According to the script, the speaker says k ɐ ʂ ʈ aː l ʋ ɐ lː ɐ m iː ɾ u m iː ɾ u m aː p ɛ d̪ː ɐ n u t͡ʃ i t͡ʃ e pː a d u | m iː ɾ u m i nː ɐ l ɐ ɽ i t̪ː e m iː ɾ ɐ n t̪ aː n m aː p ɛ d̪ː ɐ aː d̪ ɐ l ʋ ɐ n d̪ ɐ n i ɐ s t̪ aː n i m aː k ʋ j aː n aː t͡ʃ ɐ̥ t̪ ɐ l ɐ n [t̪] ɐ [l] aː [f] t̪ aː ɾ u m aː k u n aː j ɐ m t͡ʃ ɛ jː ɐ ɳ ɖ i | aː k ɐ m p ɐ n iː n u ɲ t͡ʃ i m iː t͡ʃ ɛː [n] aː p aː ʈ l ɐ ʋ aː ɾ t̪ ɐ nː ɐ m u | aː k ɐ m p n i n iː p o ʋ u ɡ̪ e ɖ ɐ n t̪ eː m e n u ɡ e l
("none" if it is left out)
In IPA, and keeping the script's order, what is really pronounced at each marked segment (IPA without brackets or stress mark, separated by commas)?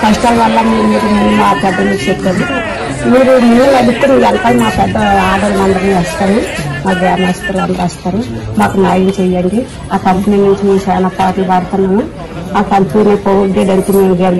d̪, ɾ, s, n